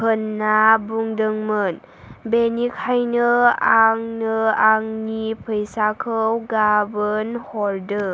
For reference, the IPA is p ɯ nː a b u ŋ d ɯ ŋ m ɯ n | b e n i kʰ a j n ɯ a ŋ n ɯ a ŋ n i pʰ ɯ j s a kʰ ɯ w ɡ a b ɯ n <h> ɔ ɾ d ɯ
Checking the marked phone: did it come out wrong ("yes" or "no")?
no